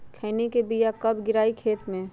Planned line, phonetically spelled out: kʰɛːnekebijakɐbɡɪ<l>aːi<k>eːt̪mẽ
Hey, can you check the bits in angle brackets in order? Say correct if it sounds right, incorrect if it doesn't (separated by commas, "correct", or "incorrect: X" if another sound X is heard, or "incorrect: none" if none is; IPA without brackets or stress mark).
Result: incorrect: ɾ, incorrect: kʰ